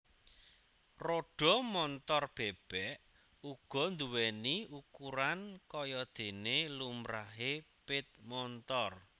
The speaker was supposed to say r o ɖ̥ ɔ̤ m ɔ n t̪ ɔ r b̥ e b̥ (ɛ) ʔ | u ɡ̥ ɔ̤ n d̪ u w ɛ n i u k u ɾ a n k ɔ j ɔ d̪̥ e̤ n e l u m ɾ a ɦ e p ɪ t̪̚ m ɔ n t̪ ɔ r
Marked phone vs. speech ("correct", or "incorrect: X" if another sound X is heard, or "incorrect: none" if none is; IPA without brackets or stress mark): correct